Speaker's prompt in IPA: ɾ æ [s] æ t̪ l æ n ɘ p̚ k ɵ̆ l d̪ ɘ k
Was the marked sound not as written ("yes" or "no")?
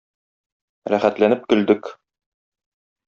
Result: yes